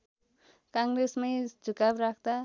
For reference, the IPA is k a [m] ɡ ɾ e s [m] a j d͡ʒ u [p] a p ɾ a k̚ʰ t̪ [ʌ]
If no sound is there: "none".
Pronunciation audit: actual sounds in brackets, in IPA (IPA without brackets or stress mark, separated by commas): ŋ, m, k, a